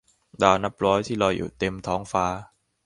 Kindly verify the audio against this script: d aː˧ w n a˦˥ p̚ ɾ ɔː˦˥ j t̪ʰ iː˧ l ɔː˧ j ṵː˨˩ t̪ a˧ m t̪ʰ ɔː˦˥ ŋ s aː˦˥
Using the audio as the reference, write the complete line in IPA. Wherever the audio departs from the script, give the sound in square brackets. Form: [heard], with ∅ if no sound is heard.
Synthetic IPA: d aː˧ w n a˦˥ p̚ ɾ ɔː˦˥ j t̪ʰ [iː˥˩] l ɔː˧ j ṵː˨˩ t̪ [e˧] m t̪ʰ ɔː˦˥ ŋ [f] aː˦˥